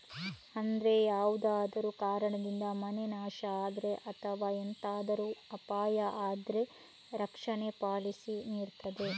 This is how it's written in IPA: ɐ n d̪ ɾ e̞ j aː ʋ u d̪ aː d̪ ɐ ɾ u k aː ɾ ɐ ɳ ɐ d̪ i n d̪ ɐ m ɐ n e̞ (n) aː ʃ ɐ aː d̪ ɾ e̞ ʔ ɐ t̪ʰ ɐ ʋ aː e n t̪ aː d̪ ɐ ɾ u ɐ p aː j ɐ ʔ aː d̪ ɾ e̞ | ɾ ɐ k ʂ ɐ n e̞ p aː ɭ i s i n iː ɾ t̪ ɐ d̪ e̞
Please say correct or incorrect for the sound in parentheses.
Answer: correct